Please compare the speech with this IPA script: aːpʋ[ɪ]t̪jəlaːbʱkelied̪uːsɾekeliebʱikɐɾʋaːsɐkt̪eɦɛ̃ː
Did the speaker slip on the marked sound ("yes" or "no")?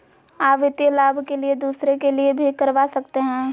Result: no